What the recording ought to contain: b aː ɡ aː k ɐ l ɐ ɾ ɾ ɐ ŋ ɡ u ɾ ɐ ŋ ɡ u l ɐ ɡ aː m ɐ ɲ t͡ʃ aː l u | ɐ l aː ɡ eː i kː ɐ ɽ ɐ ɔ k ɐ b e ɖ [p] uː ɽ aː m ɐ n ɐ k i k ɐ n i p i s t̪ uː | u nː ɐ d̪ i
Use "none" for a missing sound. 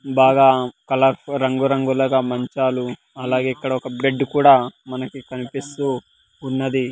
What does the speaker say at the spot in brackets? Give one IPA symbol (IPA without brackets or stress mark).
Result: k